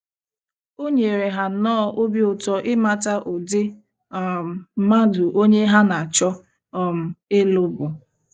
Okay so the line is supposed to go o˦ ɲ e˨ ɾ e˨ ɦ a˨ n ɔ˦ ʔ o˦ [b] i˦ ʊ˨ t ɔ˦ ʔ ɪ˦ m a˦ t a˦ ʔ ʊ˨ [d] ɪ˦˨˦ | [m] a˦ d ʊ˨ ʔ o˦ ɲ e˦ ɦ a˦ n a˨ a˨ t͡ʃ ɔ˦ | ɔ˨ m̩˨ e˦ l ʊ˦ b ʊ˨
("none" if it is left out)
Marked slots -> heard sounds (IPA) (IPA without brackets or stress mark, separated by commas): b, d, m